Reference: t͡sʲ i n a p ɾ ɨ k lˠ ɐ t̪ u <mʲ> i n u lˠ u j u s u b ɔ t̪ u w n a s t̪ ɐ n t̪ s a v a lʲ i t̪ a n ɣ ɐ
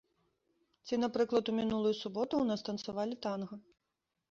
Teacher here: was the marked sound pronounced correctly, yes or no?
yes